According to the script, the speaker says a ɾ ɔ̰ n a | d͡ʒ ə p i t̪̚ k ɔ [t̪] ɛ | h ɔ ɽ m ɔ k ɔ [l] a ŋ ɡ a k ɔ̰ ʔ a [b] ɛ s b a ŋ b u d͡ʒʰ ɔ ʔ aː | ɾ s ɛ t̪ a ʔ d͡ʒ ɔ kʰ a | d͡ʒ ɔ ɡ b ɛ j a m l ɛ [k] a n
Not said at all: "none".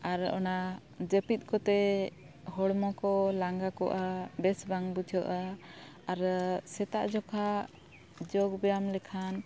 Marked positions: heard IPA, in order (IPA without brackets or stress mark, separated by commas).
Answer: t̪, l, b, kʰ